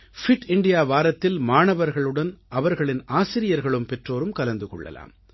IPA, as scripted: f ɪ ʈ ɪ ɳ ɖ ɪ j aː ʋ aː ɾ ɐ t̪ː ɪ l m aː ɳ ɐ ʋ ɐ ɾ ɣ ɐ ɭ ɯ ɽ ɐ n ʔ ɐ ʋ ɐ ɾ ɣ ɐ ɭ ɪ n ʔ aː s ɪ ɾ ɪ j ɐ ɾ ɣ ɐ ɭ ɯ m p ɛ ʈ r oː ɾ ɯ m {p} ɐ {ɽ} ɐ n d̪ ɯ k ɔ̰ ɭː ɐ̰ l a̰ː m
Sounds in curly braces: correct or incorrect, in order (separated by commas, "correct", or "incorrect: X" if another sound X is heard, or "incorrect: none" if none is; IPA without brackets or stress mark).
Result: incorrect: k, incorrect: l